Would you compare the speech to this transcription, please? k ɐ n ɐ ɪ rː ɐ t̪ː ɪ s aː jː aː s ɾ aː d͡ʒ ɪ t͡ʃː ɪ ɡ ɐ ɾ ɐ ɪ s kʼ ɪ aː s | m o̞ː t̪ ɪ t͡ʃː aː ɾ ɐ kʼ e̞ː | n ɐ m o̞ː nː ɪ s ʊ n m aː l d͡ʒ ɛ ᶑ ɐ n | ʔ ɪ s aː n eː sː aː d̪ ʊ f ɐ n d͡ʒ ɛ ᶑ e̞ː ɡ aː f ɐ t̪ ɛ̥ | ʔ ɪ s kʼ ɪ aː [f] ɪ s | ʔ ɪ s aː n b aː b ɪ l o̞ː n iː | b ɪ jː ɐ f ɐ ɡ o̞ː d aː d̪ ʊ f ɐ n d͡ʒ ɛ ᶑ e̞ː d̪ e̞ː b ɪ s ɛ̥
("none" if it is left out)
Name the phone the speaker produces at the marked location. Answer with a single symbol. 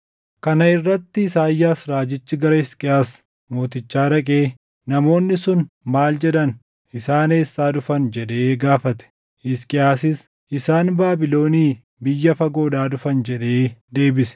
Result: s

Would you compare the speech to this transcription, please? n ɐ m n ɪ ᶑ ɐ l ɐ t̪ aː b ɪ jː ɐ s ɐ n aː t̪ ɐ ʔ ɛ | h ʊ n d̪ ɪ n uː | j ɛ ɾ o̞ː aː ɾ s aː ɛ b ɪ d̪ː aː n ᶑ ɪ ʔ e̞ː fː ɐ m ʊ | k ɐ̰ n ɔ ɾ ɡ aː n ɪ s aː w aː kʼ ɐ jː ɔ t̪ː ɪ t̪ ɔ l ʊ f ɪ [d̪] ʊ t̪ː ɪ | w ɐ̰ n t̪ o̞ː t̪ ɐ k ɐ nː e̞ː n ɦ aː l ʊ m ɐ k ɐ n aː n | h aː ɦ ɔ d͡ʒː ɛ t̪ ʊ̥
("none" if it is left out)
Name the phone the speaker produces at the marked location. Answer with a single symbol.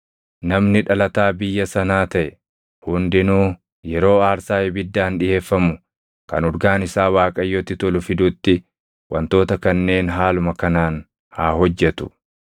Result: d̪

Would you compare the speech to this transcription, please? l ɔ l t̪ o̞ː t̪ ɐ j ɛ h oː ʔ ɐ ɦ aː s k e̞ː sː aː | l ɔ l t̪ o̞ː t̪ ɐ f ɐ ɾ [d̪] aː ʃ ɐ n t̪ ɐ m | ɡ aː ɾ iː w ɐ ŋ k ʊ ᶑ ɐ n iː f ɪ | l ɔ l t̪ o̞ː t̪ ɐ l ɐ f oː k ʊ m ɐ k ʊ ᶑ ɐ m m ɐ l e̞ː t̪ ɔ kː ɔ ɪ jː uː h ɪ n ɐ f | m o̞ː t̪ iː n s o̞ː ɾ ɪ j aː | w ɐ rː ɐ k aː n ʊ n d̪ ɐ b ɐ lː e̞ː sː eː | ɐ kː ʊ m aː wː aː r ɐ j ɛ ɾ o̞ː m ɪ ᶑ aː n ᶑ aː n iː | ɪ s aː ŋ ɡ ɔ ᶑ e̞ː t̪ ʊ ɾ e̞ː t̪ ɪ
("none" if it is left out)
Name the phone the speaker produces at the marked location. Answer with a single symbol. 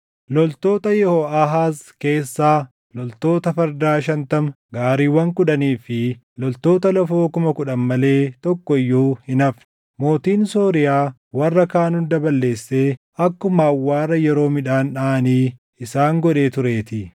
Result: d̪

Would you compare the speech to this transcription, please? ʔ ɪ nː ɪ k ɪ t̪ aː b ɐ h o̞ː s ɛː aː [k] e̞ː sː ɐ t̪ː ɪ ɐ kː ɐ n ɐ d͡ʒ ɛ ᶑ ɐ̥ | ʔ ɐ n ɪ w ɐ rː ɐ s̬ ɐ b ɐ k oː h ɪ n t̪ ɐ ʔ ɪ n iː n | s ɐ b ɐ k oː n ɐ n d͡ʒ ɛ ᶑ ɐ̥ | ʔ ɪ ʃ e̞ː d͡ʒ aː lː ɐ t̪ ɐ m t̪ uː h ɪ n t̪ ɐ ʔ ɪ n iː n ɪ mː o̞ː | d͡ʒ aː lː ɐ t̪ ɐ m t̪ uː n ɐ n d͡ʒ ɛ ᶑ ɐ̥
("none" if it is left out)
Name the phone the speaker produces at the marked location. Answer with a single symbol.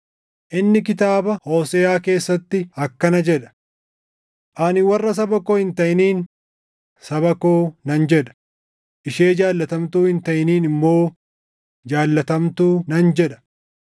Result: k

